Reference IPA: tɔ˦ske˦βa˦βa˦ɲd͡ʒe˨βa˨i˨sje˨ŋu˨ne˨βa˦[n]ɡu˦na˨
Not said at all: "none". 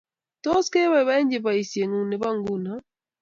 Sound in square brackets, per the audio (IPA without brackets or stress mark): ŋ